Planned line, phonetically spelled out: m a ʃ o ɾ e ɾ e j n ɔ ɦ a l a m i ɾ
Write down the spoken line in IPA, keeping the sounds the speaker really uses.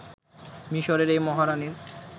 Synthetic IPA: m i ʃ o ɾ e ɾ e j m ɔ ɦ a ɾ a n i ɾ